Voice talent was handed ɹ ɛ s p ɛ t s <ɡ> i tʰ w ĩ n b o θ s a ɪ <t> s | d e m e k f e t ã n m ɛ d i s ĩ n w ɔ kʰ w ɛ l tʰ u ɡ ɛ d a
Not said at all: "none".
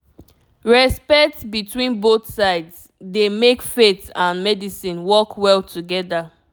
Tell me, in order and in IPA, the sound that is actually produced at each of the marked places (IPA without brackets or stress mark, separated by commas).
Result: b, d